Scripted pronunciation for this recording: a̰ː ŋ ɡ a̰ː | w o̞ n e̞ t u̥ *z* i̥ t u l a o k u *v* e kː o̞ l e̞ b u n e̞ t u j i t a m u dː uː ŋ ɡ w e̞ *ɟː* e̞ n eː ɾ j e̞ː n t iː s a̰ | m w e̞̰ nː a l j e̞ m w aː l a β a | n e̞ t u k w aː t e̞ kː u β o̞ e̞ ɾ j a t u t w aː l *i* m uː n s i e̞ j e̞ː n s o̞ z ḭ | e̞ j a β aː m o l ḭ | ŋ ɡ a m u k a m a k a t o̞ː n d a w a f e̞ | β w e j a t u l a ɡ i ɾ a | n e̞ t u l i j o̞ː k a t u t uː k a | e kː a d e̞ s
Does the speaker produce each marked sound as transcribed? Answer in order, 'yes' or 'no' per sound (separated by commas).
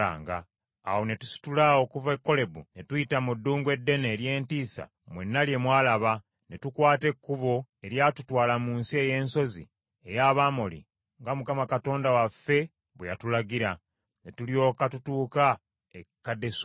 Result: no, yes, no, no